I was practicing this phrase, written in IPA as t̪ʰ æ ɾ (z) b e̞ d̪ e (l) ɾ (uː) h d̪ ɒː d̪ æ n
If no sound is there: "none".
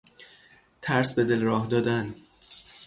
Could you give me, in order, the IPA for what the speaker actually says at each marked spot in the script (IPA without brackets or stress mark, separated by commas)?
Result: s, l, ɒː